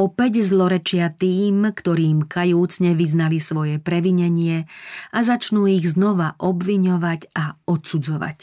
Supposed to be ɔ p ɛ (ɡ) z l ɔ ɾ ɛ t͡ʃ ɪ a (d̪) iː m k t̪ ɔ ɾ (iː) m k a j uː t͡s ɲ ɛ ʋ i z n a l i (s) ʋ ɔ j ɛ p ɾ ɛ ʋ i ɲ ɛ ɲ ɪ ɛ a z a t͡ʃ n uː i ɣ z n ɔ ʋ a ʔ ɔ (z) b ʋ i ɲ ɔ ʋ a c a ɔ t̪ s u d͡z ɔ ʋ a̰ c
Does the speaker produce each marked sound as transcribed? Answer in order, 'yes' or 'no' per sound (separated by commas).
no, no, yes, yes, no